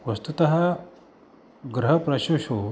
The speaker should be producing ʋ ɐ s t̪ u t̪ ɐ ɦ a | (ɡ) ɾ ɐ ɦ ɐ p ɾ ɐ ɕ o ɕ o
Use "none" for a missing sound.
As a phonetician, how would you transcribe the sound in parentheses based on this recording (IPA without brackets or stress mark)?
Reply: ɡ